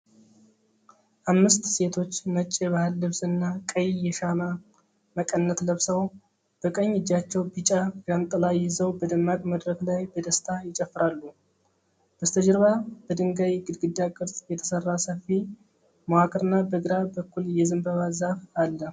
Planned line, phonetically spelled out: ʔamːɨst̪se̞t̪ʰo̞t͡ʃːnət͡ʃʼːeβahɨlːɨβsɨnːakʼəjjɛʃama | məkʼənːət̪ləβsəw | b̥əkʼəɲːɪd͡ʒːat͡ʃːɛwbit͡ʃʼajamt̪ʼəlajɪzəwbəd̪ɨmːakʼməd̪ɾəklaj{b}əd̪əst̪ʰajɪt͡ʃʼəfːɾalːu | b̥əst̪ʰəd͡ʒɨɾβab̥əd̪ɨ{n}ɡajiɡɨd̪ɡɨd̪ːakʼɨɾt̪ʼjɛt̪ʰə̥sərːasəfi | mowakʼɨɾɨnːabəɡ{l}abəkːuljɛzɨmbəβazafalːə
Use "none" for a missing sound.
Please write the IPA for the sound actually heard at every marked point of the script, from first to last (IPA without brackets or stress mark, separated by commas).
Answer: b, ŋ, ɾ